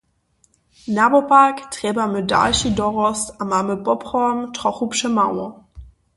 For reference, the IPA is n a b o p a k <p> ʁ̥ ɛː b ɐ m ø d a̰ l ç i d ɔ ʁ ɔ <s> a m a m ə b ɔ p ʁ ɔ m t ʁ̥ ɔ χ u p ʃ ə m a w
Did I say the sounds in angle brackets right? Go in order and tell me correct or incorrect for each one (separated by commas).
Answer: incorrect, correct